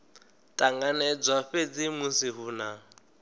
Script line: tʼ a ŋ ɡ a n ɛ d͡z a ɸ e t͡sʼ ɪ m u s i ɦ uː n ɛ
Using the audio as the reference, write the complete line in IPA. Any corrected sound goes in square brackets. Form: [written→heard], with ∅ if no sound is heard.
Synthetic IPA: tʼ a ŋ ɡ a n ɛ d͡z a ɸ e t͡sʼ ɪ m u s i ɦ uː n [ɛ→a]

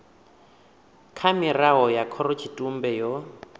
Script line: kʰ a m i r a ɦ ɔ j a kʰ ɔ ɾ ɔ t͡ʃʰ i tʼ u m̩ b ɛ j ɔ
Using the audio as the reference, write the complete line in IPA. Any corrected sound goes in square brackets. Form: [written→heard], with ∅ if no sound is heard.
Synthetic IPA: kʰ a m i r a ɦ ɔ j a kʰ ɔ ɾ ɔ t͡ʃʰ i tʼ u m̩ b ɛ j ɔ

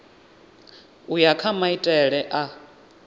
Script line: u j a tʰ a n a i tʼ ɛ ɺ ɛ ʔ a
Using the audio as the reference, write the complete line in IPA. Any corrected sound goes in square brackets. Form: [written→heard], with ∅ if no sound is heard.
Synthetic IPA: u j a [tʰ→kʰ] a [n→m] a i tʼ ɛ ɺ ɛ ʔ a

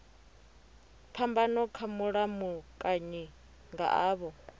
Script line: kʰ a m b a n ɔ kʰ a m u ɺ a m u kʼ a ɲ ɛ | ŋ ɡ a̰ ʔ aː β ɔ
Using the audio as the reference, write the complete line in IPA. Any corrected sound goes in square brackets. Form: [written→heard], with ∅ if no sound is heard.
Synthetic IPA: [kʰ→pʰ] a m b a n ɔ kʰ a m u ɺ a m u kʼ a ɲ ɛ | ŋ ɡ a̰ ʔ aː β ɔ

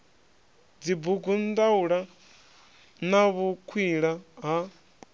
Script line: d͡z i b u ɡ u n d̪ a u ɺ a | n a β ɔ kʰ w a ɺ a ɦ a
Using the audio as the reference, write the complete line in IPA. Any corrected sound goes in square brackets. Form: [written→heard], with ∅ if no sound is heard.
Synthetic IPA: d͡z i b u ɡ u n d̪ a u ɺ a | n a β [ɔ→u] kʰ w [a→i] ɺ a ɦ a

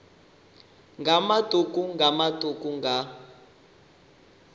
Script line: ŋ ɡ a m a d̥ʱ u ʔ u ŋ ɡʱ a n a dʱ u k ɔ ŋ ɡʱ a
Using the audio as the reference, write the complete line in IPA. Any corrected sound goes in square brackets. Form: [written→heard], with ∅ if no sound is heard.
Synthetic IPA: ŋ ɡ a m a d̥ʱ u [ʔ→k] u ŋ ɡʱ a [n→m] a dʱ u k [ɔ→u] ŋ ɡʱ a

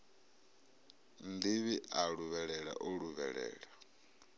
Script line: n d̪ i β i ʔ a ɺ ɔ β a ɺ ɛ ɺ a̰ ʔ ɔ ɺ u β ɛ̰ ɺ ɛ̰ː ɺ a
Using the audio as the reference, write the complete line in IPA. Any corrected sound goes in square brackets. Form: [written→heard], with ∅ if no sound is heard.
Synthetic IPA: n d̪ i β i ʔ a ɺ [ɔ→u] β [a→ɛ] ɺ ɛ ɺ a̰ ʔ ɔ ɺ u β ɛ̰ ɺ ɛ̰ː ɺ a

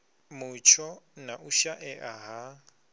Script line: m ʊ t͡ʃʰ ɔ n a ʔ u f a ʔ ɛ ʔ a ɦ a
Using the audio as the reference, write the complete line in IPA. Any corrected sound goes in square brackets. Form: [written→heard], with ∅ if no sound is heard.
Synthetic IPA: m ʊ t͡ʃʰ ɔ n a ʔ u [f→ʃ] a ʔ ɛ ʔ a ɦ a

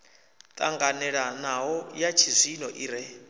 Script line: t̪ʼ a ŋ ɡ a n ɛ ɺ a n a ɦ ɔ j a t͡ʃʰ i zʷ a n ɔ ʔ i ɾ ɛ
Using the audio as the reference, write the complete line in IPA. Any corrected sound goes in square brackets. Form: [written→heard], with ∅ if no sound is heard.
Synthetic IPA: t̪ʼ a ŋ ɡ a n ɛ ɺ a n a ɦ ɔ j a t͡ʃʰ i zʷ [a→i] n ɔ ʔ i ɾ ɛ

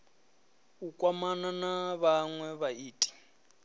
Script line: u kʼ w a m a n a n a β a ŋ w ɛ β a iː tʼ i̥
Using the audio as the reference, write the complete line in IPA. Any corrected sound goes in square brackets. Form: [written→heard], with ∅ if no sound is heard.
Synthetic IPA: u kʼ w a m a n a n a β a ŋ w ɛ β a iː tʼ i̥

